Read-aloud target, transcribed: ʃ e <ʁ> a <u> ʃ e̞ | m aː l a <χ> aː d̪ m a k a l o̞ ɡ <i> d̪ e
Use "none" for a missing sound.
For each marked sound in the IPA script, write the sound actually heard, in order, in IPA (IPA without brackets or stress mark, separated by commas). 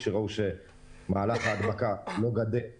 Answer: ʁ, u, χ, a